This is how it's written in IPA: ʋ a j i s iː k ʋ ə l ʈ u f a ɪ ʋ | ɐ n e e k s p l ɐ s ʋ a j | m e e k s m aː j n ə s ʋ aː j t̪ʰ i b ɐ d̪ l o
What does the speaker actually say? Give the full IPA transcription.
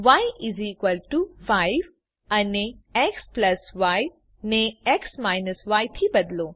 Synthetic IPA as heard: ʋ a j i z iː k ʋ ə l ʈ u f a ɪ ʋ | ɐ n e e k s p l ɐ s ʋ a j | n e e k s m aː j n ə s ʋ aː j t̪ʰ i b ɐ d̪ l o